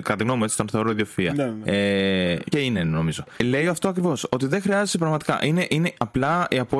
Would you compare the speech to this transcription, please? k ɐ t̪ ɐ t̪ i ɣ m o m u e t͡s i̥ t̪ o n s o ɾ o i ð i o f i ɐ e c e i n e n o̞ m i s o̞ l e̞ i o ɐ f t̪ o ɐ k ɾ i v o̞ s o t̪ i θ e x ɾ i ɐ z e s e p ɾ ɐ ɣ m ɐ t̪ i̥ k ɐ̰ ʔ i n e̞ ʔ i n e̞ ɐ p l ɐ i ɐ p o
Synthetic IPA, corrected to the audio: k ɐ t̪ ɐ t̪ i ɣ n o m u e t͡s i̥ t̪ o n θ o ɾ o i ð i o f i ɐ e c e i n e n o̞ m i z o̞ l e̞ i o ɐ f t̪ o ɐ k ɾ i v o̞ s o t̪ i ð e x ɾ i ɐ z e s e p ɾ ɐ ɣ m ɐ t̪ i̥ k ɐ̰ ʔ i n e̞ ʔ i n e̞ ɐ p l ɐ i ɐ p o